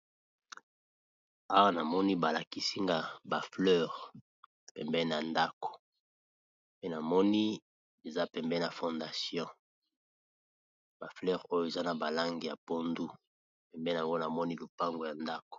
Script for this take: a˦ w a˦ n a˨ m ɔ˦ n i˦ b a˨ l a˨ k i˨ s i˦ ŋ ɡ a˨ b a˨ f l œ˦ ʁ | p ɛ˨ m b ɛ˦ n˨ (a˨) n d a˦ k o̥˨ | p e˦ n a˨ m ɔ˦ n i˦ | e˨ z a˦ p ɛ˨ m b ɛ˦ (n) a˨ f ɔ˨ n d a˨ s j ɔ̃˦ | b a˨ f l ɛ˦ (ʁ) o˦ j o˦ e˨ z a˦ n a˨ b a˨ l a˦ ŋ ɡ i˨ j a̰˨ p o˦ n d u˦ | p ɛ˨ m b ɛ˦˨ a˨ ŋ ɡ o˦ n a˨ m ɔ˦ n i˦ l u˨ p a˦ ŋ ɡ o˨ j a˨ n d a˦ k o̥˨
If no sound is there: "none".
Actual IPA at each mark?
a˨, n, ʁ

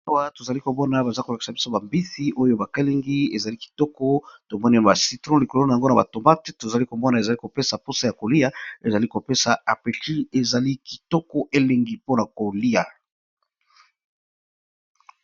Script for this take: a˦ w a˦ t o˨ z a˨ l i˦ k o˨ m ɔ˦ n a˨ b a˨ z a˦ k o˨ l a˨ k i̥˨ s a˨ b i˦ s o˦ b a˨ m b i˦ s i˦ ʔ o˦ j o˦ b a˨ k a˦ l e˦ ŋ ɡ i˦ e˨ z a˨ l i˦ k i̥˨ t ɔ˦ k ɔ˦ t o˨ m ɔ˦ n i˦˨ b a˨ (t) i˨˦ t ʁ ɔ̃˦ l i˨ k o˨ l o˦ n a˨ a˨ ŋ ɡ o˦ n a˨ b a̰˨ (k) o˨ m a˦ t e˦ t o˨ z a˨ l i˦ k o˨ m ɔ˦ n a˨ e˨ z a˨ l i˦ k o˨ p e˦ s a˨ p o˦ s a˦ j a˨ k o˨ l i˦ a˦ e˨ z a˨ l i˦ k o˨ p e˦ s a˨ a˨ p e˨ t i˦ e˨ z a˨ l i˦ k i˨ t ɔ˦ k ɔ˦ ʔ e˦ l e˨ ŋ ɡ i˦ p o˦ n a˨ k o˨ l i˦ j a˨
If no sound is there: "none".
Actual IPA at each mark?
s, t

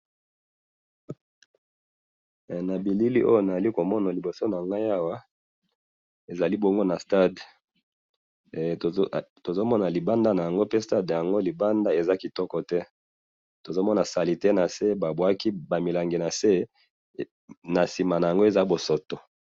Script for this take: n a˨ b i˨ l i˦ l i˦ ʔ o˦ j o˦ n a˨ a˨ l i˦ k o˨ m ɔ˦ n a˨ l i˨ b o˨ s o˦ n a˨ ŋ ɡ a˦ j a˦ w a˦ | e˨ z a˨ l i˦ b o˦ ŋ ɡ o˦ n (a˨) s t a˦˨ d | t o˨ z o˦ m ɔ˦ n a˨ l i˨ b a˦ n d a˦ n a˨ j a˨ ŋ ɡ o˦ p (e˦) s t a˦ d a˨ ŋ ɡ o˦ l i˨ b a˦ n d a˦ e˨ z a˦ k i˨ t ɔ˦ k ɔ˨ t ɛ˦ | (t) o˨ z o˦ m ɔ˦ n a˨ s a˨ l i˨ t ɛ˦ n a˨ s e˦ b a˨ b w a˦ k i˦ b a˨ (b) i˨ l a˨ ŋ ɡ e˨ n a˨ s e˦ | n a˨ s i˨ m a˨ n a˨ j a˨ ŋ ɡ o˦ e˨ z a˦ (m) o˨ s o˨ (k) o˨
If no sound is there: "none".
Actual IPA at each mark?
a˨, e˦, t, m, b, t

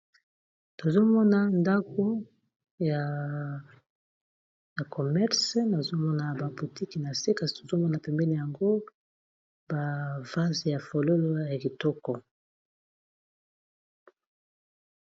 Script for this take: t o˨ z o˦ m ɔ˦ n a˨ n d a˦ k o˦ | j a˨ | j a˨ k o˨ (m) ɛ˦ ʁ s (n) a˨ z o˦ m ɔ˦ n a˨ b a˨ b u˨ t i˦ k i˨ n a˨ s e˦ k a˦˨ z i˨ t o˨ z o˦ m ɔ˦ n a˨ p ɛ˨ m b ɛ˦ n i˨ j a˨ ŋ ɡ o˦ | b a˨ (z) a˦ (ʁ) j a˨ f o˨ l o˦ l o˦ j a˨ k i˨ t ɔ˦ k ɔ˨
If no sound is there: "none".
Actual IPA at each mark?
m, n, v, z

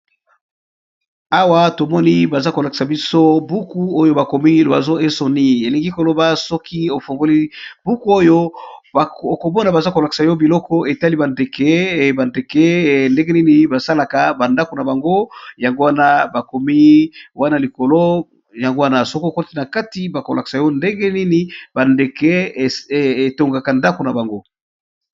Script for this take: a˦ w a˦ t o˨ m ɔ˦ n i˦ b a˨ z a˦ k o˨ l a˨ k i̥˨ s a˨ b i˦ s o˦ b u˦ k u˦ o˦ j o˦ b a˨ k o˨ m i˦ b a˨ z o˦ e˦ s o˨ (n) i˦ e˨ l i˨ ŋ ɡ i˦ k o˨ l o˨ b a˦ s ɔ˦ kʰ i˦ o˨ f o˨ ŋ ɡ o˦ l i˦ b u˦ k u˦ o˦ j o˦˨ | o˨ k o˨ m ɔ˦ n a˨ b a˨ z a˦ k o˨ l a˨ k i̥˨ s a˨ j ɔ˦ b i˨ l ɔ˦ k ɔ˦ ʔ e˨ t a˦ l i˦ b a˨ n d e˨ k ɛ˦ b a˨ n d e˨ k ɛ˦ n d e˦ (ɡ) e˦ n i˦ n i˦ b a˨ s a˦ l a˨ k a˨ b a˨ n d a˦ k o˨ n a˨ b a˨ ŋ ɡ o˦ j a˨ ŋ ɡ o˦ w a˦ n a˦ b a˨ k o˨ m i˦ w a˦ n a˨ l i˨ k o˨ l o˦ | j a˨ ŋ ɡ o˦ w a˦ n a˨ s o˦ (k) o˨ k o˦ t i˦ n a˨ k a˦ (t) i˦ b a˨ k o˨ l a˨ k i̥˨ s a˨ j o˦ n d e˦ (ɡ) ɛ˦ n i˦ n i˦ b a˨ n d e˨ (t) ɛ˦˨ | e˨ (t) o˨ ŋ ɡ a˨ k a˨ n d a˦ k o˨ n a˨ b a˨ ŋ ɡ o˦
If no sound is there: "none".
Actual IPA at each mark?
n, ɡ, k, t, ɡ, k, t

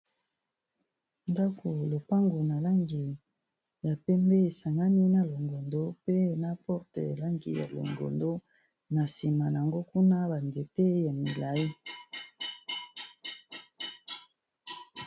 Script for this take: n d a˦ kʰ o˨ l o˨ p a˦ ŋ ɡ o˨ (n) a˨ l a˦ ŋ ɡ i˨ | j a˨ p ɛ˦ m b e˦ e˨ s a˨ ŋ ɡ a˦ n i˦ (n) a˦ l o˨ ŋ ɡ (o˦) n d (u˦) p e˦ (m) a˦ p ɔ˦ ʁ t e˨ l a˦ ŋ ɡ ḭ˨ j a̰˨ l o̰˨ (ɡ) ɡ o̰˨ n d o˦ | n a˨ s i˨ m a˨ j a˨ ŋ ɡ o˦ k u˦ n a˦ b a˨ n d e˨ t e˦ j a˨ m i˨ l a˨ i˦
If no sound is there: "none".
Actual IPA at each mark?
n, n, o˨, o˦, n, ŋ

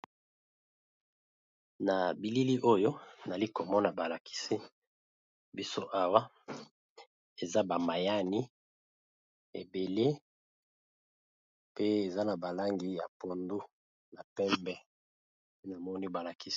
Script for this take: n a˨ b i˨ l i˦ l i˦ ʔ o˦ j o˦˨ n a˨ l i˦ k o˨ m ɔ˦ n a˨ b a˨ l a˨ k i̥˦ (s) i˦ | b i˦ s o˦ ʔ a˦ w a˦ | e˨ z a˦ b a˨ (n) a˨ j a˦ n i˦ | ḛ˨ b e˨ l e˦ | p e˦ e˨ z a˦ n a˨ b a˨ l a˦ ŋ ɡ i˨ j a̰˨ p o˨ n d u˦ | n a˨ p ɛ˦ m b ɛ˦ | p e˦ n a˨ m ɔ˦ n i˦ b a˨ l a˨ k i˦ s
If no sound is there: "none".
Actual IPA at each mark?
s, m

